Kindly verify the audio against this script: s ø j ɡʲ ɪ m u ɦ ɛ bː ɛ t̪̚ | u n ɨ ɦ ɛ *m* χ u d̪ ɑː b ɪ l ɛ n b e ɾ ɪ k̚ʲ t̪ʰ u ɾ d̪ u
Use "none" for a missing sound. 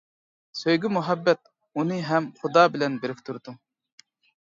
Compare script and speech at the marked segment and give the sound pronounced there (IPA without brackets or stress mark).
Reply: m